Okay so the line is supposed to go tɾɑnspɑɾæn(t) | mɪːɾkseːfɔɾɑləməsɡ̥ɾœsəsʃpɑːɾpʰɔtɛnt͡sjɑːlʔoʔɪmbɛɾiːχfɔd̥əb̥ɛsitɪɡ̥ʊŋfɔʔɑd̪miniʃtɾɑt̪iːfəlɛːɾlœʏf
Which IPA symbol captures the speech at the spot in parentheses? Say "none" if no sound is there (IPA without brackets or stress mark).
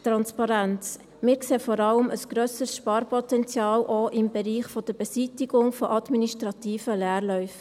t͡s